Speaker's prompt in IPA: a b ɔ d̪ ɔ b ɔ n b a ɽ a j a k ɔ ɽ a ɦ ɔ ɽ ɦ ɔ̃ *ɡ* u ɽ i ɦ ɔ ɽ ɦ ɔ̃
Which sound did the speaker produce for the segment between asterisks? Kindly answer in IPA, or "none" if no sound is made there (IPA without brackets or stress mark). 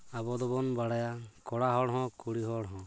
k